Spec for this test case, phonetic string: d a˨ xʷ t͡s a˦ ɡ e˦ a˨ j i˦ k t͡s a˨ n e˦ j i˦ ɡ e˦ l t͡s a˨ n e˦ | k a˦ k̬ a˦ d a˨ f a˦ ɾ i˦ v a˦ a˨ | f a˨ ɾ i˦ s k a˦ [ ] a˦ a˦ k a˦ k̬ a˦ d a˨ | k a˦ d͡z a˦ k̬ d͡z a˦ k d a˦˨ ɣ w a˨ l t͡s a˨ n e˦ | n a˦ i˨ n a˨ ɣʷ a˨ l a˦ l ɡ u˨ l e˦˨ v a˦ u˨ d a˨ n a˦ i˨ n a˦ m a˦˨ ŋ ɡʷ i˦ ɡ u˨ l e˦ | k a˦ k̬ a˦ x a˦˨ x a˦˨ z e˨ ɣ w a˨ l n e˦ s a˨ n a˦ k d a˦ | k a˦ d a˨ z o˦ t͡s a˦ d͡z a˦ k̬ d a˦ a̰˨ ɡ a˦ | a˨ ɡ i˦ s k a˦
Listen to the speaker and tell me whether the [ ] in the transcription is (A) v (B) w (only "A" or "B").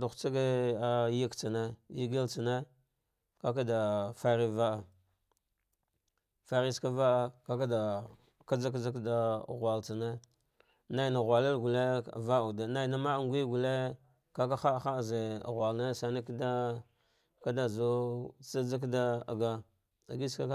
A